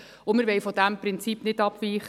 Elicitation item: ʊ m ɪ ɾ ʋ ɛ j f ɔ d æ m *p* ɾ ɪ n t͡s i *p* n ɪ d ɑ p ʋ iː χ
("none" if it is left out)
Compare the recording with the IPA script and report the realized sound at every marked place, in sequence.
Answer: p, p

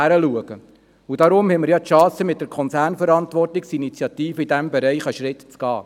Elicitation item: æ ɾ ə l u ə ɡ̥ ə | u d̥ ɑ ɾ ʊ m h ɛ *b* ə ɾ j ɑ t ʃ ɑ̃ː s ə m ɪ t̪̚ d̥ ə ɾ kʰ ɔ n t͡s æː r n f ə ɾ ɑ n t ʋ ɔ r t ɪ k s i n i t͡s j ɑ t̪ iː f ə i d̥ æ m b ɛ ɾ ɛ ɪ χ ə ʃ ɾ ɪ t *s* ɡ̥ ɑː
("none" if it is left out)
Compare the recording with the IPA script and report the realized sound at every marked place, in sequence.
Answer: m, t͡s

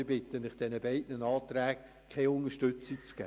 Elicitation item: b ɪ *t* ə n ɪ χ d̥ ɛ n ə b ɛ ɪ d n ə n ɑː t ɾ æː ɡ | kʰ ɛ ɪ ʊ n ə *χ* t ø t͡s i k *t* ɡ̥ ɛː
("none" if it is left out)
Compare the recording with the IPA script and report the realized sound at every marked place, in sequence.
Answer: t, ʃ, t͡s

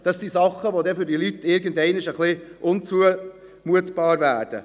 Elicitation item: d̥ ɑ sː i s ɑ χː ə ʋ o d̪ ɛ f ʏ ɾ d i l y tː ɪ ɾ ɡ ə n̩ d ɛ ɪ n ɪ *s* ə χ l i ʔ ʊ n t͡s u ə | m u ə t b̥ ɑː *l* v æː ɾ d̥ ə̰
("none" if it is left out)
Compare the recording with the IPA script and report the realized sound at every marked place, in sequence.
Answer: ʃ, ɾ

